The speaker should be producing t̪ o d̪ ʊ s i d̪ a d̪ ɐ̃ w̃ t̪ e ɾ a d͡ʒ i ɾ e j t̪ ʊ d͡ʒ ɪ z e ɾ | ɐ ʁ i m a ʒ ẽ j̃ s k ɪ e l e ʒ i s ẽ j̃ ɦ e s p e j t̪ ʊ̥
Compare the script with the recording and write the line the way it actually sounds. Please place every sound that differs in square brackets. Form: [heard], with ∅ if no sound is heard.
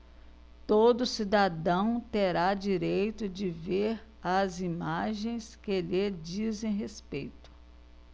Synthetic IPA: t̪ o d̪ ʊ s i d̪ a d̪ ɐ̃ w̃ t̪ e ɾ a d͡ʒ i ɾ e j t̪ ʊ d͡ʒ ɪ [v] e ɾ | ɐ [z] i m a ʒ ẽ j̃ s k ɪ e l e [d͡ʒ] i [z] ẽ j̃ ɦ e s p e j t̪ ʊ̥